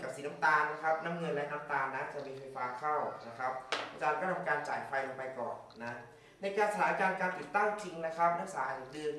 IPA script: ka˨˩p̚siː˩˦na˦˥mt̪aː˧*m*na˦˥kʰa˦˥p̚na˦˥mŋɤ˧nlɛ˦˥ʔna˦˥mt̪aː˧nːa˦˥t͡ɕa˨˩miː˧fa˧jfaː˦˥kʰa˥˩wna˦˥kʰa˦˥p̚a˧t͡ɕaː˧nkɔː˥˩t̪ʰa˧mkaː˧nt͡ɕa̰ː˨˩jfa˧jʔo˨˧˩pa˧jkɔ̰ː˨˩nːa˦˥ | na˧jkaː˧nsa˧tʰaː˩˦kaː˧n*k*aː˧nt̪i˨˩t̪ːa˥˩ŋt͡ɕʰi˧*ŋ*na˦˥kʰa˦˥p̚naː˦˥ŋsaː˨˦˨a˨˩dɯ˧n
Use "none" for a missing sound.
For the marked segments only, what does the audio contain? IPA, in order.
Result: n, k, ŋ

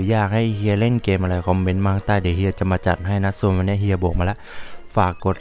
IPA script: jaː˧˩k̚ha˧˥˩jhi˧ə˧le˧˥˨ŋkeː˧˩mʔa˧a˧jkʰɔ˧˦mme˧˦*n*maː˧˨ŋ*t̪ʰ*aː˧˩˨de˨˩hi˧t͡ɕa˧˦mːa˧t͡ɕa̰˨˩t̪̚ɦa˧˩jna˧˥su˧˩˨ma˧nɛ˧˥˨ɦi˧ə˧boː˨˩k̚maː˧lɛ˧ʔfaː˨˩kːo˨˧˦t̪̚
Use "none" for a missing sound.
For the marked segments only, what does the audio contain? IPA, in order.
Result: n, t̪

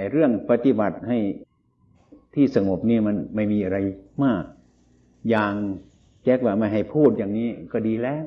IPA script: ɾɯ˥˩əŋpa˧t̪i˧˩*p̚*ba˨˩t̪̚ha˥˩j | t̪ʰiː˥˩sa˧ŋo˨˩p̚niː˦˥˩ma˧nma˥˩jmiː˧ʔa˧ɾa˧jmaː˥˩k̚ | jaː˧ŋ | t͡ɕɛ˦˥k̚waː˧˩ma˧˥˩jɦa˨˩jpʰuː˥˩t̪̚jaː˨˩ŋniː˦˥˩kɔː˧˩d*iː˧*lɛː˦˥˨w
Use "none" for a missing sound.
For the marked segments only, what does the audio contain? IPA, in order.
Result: none, iː˧

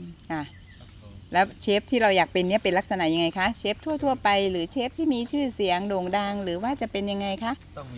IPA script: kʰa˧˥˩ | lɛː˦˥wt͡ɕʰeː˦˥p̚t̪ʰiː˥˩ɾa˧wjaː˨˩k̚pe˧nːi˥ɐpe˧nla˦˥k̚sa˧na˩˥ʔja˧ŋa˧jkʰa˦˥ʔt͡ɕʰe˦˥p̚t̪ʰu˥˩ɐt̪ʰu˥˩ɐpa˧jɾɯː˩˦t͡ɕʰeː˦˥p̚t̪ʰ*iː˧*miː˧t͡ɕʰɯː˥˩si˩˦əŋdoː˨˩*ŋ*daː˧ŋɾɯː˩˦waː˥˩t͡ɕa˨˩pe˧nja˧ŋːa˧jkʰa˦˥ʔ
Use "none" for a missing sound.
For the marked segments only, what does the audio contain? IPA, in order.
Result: iː˥˩, ŋ

